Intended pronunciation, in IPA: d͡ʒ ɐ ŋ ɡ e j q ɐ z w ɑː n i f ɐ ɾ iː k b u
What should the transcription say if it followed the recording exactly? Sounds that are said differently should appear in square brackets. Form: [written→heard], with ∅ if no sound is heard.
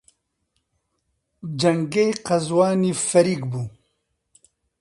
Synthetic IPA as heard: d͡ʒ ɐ ŋ ɡ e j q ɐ z w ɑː n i f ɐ ɾ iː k b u